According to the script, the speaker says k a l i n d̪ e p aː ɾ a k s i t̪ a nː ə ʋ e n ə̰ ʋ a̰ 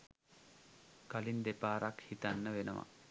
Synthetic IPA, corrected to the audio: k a l i n d̪ e p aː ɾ a k h i t̪ a nː ə ʋ e n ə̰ ʋ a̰